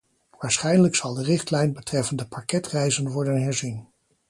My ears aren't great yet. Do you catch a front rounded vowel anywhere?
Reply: no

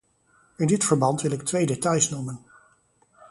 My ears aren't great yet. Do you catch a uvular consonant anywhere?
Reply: no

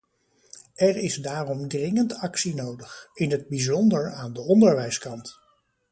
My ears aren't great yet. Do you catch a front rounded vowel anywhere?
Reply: no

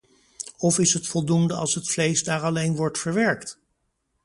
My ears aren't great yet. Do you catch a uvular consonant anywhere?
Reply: no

